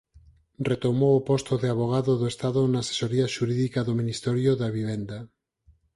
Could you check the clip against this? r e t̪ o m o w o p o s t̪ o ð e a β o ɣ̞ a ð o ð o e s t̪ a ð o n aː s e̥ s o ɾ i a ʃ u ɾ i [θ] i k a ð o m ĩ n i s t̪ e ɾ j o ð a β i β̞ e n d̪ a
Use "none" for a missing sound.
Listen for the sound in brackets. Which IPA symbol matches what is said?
ð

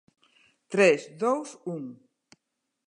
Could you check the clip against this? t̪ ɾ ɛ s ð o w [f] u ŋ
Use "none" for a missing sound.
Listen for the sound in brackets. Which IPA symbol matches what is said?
s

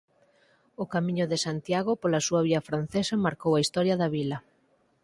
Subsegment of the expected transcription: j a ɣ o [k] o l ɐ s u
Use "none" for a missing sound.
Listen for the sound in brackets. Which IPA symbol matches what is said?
p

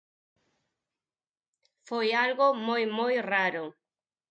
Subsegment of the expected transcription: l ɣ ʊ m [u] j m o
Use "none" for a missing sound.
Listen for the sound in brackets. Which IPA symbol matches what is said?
o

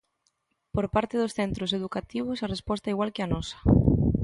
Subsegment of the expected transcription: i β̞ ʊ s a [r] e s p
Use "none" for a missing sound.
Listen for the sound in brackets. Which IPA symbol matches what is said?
r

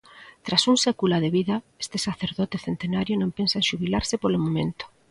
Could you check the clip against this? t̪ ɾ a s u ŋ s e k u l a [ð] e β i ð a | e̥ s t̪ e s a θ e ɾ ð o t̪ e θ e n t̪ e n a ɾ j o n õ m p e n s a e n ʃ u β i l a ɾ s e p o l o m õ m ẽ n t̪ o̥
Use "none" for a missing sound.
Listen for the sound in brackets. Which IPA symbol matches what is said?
ð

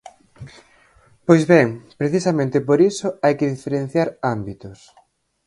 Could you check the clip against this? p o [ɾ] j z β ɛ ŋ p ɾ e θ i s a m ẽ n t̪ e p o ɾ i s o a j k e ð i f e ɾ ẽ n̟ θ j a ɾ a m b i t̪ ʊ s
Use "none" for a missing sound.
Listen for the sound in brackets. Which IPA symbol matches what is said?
none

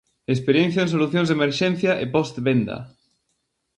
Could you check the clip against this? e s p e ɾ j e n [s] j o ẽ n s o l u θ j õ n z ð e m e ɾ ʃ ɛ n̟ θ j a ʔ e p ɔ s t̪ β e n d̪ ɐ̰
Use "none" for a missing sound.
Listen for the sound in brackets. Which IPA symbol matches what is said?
θ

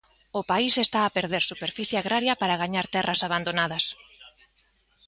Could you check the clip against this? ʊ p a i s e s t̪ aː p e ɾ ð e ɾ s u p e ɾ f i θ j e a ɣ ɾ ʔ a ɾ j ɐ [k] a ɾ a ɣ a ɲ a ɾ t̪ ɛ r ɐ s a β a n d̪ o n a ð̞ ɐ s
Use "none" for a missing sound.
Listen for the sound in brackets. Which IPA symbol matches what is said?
p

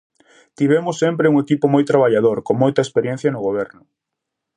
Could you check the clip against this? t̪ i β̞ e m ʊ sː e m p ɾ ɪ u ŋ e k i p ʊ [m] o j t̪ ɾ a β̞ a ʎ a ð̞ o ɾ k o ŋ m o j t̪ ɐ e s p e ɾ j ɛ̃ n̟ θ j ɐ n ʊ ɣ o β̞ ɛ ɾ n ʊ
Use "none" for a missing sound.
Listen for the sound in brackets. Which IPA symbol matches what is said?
m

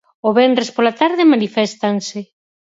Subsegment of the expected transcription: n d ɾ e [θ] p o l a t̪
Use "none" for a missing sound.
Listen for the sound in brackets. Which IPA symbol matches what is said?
s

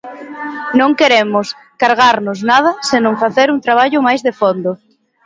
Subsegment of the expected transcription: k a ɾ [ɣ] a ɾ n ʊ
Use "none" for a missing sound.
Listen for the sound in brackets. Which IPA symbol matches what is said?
ɣ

